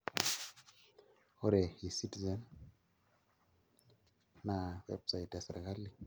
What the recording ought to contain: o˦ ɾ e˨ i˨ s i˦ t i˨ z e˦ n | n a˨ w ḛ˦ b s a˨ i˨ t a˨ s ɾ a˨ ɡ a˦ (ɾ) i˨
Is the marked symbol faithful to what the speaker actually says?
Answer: no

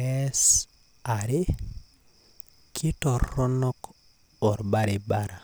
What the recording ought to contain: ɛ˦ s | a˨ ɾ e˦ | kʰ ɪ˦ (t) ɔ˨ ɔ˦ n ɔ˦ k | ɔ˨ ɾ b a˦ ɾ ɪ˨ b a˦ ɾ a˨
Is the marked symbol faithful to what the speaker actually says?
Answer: yes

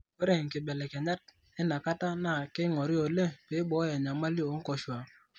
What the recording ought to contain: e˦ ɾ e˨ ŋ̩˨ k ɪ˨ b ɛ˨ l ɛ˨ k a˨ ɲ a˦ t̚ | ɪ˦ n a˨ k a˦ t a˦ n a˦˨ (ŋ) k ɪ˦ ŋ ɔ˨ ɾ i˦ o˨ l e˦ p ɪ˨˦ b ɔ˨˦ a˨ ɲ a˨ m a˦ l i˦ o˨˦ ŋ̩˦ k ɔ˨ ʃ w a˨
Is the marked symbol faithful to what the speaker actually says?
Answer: no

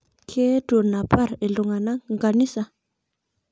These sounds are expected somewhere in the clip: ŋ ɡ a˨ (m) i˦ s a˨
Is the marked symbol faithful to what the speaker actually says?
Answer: no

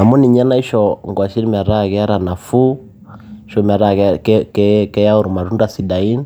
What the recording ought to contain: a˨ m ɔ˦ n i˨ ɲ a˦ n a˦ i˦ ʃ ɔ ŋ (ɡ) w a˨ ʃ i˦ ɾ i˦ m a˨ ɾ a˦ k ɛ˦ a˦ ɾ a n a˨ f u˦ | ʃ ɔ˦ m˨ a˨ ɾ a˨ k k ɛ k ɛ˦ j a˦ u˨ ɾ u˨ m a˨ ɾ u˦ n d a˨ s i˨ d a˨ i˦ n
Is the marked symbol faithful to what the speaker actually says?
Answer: yes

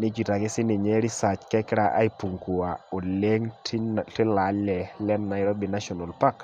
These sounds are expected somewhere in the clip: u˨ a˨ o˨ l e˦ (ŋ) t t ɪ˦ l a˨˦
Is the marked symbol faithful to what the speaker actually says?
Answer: yes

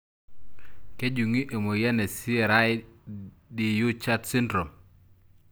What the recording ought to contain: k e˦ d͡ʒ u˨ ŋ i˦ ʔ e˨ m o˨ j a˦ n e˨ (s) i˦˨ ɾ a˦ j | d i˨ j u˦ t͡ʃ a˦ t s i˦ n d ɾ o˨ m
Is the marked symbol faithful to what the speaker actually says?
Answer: yes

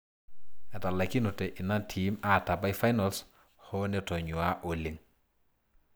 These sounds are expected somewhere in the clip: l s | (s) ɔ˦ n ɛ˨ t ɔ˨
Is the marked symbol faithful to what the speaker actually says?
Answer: no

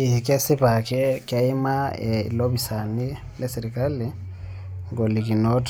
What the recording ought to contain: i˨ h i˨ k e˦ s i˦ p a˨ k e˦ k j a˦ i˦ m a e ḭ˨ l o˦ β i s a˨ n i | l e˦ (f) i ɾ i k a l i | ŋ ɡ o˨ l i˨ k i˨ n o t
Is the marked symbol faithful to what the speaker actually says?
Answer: no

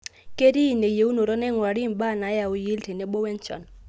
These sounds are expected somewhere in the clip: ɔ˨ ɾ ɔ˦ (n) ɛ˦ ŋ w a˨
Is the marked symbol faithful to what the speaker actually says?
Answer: yes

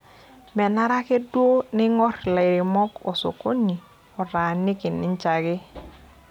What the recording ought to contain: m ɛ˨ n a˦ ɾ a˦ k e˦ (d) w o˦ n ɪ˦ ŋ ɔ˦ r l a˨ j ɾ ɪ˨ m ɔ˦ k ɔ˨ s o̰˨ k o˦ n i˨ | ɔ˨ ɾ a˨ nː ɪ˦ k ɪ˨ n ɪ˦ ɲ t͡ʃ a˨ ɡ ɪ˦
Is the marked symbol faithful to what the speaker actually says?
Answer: yes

